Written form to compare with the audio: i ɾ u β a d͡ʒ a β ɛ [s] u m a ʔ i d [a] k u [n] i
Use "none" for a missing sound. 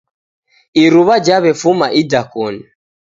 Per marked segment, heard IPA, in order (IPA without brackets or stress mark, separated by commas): f, a, n